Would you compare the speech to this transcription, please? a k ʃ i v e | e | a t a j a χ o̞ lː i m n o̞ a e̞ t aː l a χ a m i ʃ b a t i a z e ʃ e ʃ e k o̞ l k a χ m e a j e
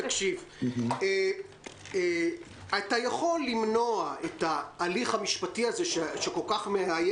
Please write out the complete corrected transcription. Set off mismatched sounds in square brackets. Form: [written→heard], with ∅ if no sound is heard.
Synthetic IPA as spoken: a k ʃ i v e | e | a t a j a χ o̞ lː i m n o̞ a e̞ t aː l [a→i] χ a m i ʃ [b→p] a t i a z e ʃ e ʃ e k o̞ l k a χ m e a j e

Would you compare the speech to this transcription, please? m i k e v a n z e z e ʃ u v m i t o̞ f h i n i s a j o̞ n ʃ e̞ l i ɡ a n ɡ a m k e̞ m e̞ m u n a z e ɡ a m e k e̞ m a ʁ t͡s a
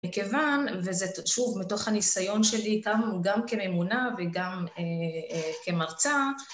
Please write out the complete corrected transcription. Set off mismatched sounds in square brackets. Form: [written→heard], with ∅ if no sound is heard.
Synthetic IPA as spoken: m i k e v a n [z→v] e z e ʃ u v m i t o̞ [f→χ] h [i→a] n i s a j o̞ n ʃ e̞ l i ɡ a [n→m] ɡ a m k e̞ m e̞ m u n a [z→v] e ɡ a m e k e̞ m a ʁ t͡s a

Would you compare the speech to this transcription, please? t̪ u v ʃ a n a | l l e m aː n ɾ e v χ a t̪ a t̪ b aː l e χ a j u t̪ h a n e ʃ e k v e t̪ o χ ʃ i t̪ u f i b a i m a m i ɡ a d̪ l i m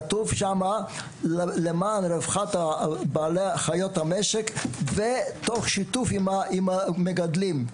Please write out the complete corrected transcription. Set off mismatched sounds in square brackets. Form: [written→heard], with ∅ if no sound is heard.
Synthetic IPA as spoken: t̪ u v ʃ a [n→m] a | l l e m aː n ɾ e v χ a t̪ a [t̪→∅] b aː l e χ a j [u→o] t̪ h a [n→m] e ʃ e k v e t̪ o χ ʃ i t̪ u f i [b→m] a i m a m [i→e] ɡ a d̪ l i m

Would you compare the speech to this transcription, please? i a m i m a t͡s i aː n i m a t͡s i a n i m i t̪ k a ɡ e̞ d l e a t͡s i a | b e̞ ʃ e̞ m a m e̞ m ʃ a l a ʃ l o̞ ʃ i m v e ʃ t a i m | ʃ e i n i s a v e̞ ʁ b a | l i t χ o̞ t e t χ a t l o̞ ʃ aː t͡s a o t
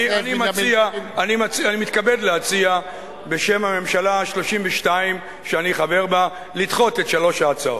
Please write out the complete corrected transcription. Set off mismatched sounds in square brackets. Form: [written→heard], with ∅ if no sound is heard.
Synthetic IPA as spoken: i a [m→n] i m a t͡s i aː n i m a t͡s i a n i m i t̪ k a [ɡ→b] e̞ d l e a t͡s i a | b e̞ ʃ e̞ m a m e̞ m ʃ a l a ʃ l o̞ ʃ i m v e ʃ t a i m | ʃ e [i→a] n i [s→χ] a v e̞ ʁ b a | l i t χ o̞ t e t [χ→ʃ] a [t→∅] l o̞ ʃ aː t͡s a o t

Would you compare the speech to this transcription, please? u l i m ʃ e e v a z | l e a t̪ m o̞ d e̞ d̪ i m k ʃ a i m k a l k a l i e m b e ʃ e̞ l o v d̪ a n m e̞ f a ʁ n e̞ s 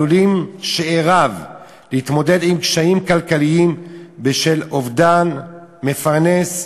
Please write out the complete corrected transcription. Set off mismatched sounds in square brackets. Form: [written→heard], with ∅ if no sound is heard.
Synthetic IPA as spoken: u l i m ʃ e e [v→ʁ] a [z→v] | l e [a→i] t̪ m o̞ d e̞ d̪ i m k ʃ a i m k a l k a l i [e→i] m b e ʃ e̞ l o v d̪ a n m e̞ f a ʁ n e̞ s

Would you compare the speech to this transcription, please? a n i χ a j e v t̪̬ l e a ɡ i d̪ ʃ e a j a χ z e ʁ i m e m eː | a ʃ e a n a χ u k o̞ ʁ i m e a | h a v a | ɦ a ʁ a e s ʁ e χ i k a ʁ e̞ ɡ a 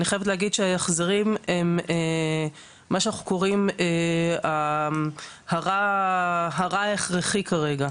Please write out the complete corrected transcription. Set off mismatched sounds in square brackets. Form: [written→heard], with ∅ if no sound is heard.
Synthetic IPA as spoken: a n i χ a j e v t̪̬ l e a ɡ i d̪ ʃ e a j a χ z e ʁ i m e m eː | a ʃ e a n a χ u k o̞ ʁ i m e a | h a [v→ʁ] a | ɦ a ʁ a e [s→χ] ʁ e χ i k a ʁ e̞ ɡ a

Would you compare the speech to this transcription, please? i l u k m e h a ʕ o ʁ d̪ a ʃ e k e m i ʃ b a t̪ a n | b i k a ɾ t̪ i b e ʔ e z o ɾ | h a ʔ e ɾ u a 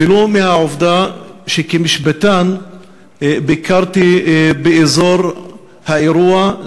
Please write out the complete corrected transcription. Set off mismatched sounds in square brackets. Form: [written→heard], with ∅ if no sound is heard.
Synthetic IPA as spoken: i l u [k→∅] m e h a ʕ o [ʁ→v] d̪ a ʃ e k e m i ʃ b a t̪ a n | b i k a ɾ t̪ i b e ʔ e z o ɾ | h a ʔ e ɾ u a

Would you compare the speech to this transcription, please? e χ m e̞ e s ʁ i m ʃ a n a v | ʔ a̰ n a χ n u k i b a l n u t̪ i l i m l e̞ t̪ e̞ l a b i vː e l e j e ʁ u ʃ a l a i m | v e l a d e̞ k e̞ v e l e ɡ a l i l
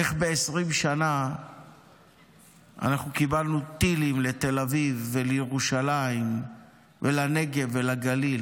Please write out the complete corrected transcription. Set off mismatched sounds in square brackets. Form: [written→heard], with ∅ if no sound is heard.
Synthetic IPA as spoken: e χ [m→b] e̞ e s ʁ i m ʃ a n a [v→∅] | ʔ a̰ n a χ n u k i b a l n u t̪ i l i m l e̞ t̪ e̞ l a [b→v] i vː e l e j e ʁ u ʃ a l a i m | v e l a [d→n] e̞ [k→ɡ] e̞ v e l [e→a] ɡ a l i l

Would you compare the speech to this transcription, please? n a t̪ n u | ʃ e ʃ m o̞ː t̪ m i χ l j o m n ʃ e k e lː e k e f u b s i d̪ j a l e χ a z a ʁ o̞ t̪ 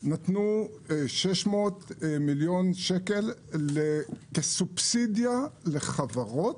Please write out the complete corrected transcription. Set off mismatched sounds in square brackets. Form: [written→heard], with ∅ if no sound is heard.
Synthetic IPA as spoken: n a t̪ n u | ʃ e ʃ m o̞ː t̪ m i [χ→∅] l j o [m→∅] n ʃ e k e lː e k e [f→s] u b s i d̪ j a l e χ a [z→v] a ʁ o̞ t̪

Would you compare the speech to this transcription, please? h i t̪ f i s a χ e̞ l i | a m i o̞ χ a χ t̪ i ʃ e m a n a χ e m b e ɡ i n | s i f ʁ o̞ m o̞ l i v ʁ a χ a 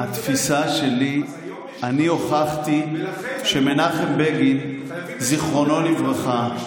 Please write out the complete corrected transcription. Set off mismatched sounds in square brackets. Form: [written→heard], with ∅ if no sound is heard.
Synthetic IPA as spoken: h [i→a] t̪ f i s a [χ→ʃ] e̞ l i | a [m→n] i o̞ χ a χ t̪ i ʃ e m [a→e] n a χ e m b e ɡ i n | [s→z] i [f→χ] ʁ o̞ [m→n] o̞ l i v ʁ a χ a

